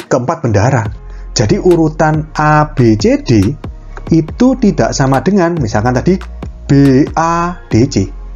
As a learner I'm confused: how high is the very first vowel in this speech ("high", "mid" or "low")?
mid